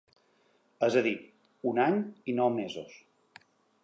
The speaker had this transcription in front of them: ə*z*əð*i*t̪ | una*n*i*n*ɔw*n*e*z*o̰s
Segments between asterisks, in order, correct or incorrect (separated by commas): correct, correct, incorrect, correct, incorrect, correct